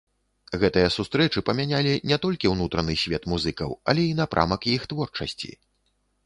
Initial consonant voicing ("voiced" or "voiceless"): voiced